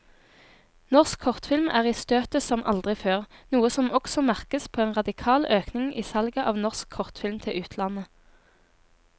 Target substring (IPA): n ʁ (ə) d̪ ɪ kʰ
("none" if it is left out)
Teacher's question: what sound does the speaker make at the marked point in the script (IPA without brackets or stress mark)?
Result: ɑ